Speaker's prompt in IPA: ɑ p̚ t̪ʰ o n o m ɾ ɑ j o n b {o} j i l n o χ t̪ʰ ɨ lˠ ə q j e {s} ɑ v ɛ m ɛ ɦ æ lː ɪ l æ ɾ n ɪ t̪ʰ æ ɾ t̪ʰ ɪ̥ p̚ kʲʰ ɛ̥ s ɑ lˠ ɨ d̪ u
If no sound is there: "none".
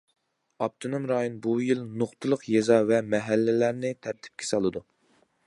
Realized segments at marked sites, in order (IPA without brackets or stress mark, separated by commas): u, z